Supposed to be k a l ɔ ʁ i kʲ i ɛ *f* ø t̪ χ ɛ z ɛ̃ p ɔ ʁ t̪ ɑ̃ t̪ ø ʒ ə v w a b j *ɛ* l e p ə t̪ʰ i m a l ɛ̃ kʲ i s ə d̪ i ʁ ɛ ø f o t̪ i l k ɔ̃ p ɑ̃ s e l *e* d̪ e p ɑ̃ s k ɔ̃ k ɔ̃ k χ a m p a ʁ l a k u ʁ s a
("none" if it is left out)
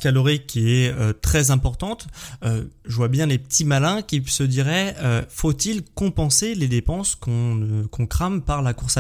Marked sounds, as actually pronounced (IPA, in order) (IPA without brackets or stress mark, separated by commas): none, ɛ̃, e